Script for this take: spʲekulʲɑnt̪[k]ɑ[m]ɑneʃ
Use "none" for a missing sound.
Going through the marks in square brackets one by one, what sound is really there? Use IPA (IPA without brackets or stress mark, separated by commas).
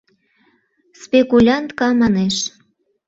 k, m